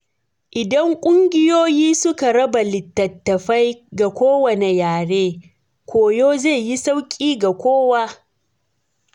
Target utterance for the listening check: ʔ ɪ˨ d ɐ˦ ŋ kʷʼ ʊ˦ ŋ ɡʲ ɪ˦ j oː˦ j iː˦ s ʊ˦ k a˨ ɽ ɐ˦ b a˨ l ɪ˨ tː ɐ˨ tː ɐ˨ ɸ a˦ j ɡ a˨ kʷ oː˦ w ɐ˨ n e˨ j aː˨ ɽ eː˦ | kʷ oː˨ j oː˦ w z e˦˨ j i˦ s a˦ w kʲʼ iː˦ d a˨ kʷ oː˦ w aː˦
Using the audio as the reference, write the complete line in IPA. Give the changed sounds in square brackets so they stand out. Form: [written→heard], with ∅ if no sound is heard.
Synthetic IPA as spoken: ʔ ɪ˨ d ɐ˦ ŋ kʷʼ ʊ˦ ŋ ɡʲ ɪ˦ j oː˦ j iː˦ s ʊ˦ k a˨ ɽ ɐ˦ b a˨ l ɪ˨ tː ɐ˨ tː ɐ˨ ɸ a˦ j ɡ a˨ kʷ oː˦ w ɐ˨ n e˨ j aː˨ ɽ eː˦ | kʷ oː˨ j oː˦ [w→∅] z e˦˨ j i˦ s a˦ w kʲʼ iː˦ [d→ɡ] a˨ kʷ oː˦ w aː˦